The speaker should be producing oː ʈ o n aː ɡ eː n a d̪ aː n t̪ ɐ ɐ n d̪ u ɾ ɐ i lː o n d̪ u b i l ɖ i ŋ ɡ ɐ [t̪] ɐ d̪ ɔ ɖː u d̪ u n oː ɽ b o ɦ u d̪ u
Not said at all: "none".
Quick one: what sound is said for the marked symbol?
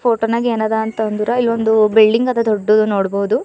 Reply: d̪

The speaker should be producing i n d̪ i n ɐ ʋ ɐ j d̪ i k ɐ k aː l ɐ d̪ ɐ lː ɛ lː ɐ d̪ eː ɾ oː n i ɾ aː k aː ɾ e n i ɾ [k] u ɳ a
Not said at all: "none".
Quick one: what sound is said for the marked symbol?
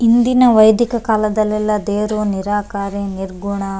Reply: ɡ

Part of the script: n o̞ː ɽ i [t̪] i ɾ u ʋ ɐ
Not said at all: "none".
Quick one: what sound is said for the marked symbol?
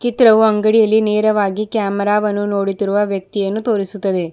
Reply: t̪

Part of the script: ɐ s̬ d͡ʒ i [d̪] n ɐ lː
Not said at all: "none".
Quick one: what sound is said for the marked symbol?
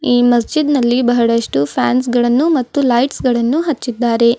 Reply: d̪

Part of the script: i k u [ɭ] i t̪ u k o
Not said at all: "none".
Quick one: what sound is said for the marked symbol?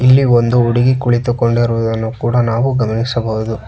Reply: ɭ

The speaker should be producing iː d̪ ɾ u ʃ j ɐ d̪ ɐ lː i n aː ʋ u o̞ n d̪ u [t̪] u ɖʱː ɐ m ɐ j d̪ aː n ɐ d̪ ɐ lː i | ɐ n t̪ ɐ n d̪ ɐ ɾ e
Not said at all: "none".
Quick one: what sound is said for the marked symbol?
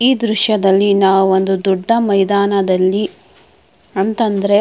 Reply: d̪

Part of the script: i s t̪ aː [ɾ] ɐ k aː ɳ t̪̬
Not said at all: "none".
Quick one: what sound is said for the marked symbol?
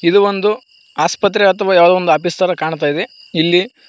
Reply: ɾ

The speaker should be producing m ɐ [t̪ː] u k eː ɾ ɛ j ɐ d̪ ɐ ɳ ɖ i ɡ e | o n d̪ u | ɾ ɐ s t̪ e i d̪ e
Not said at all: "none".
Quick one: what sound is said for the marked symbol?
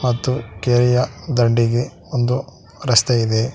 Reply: t̪ː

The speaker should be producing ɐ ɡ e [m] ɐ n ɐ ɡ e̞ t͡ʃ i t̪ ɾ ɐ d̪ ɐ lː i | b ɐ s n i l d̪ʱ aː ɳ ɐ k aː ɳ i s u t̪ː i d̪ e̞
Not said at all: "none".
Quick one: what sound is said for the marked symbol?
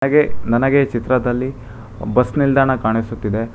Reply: n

